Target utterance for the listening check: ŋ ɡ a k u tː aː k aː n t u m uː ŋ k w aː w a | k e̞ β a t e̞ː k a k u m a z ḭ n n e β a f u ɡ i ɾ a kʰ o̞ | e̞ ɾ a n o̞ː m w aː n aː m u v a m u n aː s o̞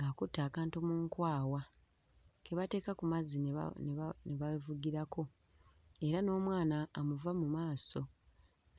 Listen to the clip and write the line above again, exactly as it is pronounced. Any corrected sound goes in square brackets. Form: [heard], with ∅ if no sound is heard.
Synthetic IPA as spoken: ŋ ɡ a k u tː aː k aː n t u m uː ŋ k w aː w a | k e̞ β a t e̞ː k a k u m a z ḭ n n e β a [v] u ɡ i ɾ a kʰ o̞ | e̞ ɾ a n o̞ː m w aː n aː m u v a m u [m] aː s o̞